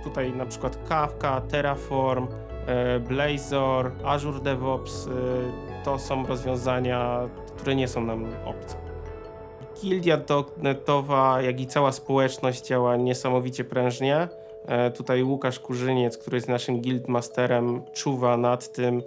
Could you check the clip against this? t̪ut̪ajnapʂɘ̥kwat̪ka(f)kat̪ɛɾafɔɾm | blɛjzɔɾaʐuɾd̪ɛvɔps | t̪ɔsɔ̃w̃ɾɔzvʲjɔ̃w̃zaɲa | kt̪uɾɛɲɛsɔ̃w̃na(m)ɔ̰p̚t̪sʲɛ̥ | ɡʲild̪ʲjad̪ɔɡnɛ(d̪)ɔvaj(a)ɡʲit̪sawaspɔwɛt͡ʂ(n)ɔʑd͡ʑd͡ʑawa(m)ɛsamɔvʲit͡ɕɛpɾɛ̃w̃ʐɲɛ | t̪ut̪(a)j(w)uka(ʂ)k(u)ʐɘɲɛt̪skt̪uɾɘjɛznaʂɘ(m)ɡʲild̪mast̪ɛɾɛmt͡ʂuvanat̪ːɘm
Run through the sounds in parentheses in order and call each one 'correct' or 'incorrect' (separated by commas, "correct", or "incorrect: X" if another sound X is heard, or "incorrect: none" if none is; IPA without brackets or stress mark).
correct, correct, incorrect: t̪, correct, correct, incorrect: ɲ, correct, correct, correct, correct, correct